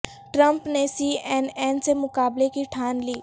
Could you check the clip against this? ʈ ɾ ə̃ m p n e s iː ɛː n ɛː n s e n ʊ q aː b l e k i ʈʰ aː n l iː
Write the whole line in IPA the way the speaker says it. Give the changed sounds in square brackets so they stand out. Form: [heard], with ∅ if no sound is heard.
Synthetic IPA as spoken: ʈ ɾ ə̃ m p n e s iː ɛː n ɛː n s e [m] ʊ [k] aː b l e k i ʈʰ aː n l iː

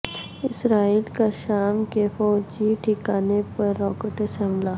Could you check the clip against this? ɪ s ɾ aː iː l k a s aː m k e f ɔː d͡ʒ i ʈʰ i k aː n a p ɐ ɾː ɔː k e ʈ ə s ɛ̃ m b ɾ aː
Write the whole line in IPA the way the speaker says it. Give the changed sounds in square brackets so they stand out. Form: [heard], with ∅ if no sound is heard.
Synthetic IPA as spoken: ɪ s ɾ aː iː l k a [ʃ] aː m k e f ɔː d͡ʒ i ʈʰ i k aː n [e] p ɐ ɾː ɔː k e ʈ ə s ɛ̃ m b [l] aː

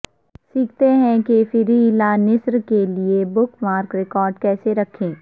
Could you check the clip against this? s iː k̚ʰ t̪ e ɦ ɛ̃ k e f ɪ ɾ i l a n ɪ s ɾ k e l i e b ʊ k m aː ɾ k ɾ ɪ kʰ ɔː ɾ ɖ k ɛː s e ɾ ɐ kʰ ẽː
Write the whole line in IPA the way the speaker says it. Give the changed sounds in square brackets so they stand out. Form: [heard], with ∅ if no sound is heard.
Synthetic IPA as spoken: s iː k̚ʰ t̪ e ɦ ɛ̃ k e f ɪ ɾ i l a n ɪ s ɾ k e l i e b ʊ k m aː ɾ k ɾ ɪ [k] ɔː ɾ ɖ k ɛː s e ɾ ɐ kʰ ẽː

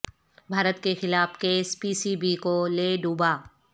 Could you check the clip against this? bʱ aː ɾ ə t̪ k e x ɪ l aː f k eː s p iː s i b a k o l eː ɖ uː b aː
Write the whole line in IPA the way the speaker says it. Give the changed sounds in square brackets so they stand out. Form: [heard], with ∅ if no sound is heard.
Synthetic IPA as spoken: bʱ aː ɾ ə t̪ k e x ɪ l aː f k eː s p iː s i b [i] k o l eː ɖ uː b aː

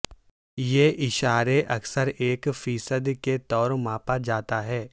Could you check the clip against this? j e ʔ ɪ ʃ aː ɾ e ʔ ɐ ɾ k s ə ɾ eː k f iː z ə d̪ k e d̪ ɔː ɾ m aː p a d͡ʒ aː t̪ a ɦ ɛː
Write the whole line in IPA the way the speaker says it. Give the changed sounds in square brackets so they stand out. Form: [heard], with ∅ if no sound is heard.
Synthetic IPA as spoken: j e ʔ ɪ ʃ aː ɾ e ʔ ɐ [∅] k s ə ɾ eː k f iː [s] ə d̪ k e [t̪] ɔː ɾ m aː p a d͡ʒ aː t̪ a ɦ ɛː

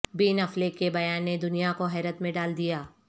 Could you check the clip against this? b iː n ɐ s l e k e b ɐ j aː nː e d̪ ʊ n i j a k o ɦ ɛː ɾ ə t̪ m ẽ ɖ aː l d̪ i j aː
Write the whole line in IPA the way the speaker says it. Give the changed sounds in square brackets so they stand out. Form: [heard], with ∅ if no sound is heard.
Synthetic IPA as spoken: b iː n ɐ [f] l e k e b ɐ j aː nː e d̪ ʊ n i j a k o ɦ ɛː ɾ ə t̪ m ẽ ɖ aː l d̪ i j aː

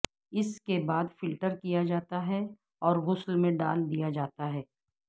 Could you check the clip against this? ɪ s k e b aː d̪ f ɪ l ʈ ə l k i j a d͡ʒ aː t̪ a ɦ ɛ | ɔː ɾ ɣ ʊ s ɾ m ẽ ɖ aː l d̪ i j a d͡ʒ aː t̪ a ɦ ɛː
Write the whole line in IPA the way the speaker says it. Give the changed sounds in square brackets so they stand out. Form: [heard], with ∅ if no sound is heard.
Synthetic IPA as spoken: ɪ s k e b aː d̪ f ɪ l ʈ ə [ɾ] k i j a d͡ʒ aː t̪ a ɦ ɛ | ɔː ɾ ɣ ʊ s [l] m ẽ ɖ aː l d̪ i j a d͡ʒ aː t̪ a ɦ ɛː

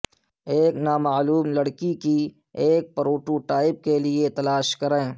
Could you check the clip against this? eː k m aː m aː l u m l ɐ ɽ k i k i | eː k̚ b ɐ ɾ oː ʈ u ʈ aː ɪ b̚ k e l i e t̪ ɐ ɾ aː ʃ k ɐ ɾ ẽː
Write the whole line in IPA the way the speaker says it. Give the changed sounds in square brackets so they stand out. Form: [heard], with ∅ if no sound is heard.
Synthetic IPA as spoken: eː k [n] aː m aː l [uː] m l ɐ ɽ k i k i | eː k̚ [p] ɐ ɾ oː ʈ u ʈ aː ɪ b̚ k e l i e t̪ ɐ [l] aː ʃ k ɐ ɾ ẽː

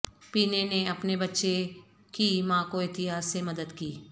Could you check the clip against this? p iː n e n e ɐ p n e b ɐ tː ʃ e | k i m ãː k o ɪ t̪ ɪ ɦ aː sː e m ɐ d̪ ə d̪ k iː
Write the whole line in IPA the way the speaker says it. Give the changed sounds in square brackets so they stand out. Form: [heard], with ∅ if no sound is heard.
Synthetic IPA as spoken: p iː n e n e ɐ p n e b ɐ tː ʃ e | k i m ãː k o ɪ t̪ ɪ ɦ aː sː e m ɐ d̪ ə d̪ k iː

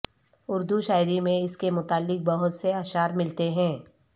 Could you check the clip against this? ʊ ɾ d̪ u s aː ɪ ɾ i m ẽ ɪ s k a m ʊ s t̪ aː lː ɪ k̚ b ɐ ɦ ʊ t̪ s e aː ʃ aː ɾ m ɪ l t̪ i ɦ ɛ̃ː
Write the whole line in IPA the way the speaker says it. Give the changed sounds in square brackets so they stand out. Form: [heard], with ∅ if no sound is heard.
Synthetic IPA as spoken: ʊ ɾ d̪ u [ʃ] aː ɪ ɾ i m ẽ ɪ s k [e] m ʊ [∅] t̪ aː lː ɪ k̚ b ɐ ɦ ʊ t̪ s e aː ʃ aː ɾ m ɪ l t̪ [e] ɦ ɛ̃ː

